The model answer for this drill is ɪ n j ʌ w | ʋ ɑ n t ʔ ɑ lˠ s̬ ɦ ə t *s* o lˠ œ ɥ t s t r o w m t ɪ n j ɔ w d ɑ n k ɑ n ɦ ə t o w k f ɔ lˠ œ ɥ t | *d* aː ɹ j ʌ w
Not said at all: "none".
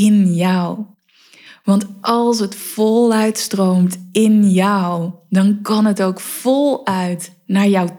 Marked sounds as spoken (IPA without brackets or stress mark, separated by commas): f, n